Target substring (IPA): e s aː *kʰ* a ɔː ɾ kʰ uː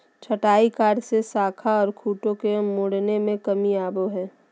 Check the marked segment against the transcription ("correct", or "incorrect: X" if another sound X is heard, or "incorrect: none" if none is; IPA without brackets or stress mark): correct